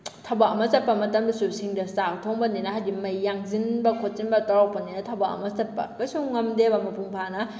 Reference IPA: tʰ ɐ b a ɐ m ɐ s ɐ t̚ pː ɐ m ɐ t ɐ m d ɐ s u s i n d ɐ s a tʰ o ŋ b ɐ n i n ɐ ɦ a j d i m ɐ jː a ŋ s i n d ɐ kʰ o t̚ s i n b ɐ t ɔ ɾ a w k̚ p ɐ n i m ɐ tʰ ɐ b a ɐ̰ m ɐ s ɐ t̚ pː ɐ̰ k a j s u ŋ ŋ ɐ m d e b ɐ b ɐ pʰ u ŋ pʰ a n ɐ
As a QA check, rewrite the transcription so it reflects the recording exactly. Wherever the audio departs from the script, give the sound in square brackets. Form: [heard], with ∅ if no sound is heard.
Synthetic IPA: tʰ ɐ b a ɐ m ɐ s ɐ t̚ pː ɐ m ɐ t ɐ m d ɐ s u s i [ŋ] d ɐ s a tʰ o ŋ b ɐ n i n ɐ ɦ a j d i m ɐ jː a ŋ [z] i n [b] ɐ kʰ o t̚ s i n b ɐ t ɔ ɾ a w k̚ p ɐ n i [n] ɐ tʰ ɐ b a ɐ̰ m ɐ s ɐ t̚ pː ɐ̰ k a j s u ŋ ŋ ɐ m d e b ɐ [m] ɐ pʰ u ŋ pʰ a n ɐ